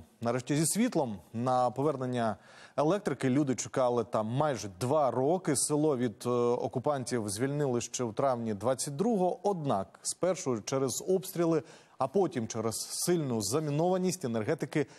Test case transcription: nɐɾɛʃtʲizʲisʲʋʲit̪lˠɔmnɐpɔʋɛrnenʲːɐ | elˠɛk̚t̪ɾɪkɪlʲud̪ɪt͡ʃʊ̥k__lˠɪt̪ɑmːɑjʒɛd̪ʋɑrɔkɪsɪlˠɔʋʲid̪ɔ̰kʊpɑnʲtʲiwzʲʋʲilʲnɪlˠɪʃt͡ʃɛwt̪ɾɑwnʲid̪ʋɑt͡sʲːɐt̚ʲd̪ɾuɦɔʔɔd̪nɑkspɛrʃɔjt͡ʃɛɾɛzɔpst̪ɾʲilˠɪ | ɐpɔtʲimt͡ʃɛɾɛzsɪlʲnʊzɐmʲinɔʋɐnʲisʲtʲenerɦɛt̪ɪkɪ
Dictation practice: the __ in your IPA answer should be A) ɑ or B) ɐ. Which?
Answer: A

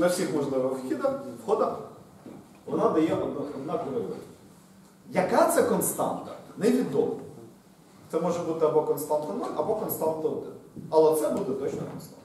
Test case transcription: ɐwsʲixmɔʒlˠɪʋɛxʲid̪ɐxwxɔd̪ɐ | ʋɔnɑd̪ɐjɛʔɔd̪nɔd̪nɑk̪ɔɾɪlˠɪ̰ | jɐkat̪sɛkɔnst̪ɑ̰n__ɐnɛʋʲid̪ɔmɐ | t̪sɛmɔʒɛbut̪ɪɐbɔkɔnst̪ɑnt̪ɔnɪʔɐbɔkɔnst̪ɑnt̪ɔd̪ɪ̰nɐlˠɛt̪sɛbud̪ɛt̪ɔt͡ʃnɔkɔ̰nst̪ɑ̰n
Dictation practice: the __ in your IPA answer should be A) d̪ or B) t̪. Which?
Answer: B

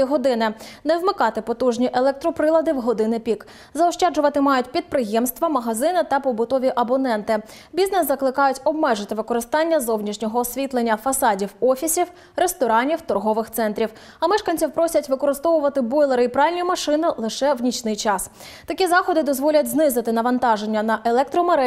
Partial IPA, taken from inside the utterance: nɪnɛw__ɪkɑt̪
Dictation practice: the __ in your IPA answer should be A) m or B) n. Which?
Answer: A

